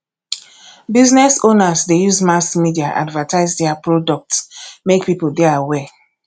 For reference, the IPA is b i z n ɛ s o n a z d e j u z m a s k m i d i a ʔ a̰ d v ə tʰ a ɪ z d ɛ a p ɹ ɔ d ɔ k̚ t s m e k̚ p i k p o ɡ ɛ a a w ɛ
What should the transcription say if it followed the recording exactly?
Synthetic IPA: b i z n ɛ s o n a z d e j u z m a s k m i d i a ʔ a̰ d v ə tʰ a ɪ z d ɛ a p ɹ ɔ d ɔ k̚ t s m e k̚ p i p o d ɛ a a w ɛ